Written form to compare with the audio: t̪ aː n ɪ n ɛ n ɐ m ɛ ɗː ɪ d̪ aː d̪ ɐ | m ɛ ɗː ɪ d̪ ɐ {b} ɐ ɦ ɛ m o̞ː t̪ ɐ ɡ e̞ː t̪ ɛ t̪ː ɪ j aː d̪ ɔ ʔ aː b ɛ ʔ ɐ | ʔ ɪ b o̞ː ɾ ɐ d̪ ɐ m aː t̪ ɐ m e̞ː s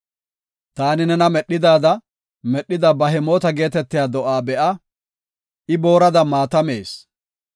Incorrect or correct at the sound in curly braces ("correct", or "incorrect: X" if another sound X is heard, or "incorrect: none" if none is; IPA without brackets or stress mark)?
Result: correct